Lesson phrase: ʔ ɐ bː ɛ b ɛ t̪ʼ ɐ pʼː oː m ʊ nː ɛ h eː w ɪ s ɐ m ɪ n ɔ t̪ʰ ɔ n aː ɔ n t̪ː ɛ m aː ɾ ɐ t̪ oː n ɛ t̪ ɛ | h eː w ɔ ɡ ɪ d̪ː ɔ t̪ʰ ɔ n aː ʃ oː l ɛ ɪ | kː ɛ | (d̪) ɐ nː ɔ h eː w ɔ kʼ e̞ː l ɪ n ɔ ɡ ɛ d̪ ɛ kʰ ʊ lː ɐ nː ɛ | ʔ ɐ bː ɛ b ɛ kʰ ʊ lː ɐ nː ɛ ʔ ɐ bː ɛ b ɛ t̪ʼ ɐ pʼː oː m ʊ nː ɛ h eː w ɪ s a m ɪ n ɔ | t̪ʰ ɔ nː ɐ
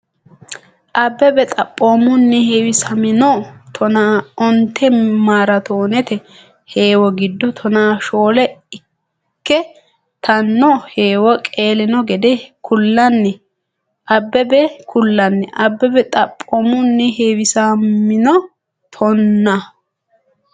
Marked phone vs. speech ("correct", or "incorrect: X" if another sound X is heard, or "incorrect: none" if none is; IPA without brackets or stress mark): incorrect: t̪